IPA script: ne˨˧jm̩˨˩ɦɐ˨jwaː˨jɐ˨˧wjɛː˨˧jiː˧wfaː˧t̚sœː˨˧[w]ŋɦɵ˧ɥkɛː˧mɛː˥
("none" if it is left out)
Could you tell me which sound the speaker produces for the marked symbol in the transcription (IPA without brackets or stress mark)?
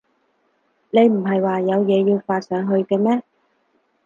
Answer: none